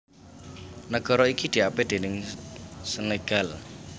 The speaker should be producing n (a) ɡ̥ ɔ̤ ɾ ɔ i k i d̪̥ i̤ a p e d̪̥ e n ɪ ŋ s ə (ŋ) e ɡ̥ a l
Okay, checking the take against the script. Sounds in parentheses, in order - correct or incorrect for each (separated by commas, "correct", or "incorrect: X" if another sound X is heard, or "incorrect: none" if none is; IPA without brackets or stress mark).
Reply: incorrect: ə, incorrect: n